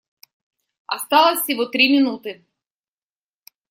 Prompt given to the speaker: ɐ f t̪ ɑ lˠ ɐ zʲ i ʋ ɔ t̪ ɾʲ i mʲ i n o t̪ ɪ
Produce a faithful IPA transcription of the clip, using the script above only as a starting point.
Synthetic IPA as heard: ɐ s t̪ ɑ lˠ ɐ sʲ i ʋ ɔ t̪ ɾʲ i mʲ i n u t̪ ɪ